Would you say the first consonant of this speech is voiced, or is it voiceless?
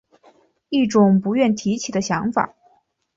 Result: voiceless